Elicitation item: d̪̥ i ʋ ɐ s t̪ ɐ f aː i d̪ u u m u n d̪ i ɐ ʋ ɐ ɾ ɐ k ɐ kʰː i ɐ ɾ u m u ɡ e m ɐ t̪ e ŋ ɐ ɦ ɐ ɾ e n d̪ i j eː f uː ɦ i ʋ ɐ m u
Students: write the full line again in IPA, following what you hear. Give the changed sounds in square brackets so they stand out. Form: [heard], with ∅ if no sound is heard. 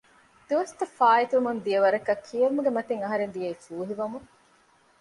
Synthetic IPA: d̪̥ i ʋ ɐ s t̪ ɐ f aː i [t̪] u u m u n d̪ i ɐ ʋ ɐ ɾ ɐ k ɐ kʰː i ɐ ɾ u m u ɡ e m ɐ t̪ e ŋ ɐ ɦ ɐ ɾ e n d̪ i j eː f uː ɦ i ʋ ɐ m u